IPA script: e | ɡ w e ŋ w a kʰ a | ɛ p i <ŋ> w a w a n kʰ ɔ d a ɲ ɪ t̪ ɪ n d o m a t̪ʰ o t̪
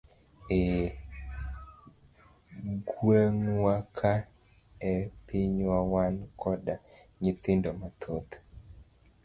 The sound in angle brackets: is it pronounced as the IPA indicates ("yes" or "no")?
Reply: no